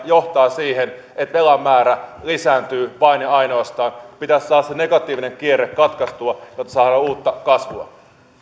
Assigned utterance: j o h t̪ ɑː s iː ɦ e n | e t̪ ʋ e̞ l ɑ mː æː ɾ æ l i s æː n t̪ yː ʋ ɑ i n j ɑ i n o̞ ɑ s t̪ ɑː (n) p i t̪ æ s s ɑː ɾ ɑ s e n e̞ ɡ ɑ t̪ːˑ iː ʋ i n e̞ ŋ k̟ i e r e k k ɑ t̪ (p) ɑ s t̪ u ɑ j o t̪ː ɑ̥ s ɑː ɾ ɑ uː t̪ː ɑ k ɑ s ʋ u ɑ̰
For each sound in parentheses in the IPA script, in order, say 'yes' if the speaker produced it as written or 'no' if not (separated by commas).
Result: yes, no